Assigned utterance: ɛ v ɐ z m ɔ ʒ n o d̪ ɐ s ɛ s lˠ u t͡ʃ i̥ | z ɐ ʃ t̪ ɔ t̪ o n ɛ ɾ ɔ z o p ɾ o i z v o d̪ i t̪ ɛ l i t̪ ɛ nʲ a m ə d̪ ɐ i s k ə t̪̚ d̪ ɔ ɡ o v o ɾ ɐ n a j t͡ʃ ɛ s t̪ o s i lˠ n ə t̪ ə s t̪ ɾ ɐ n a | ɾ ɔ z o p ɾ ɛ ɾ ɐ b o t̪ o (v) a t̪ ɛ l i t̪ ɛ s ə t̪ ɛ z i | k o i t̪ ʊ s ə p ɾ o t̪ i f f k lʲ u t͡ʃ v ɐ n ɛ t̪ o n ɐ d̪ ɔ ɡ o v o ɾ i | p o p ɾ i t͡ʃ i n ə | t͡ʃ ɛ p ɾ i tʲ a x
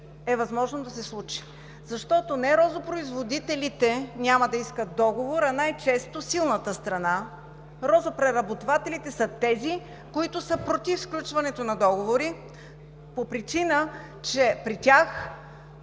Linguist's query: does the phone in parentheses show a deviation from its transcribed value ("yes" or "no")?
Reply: no